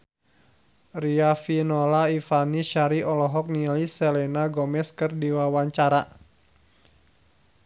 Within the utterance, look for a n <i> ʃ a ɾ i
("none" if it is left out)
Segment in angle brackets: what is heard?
i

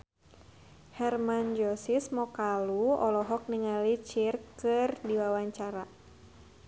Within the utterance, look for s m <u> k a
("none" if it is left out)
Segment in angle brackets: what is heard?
ɔ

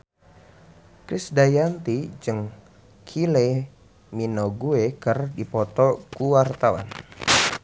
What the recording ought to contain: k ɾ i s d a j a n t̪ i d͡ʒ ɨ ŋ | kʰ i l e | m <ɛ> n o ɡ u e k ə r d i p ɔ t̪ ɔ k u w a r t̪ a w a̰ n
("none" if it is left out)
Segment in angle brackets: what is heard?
i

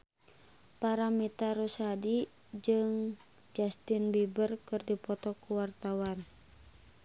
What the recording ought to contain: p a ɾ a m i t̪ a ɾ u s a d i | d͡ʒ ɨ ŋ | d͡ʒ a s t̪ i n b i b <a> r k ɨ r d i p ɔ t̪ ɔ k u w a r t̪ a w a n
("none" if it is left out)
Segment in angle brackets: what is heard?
ə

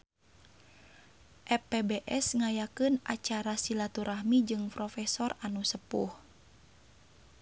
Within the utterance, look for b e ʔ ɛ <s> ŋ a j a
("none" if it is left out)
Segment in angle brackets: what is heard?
s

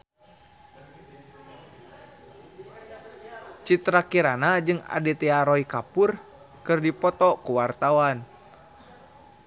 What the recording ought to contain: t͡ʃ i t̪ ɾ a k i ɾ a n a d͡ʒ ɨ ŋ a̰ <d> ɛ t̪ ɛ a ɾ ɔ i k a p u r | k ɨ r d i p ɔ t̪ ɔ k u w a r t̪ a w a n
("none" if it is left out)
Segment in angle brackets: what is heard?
d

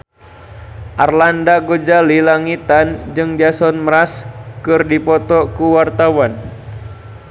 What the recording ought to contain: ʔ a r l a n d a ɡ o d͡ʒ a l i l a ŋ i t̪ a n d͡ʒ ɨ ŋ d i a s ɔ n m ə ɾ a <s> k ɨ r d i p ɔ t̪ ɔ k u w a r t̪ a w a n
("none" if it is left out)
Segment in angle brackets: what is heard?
s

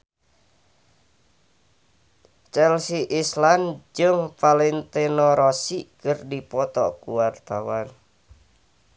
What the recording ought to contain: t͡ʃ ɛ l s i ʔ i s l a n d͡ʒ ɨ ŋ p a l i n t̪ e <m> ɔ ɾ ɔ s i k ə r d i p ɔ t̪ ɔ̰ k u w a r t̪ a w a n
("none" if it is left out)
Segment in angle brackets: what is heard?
n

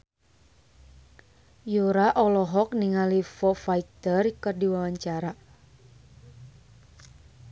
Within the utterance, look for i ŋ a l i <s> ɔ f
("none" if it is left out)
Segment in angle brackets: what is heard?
f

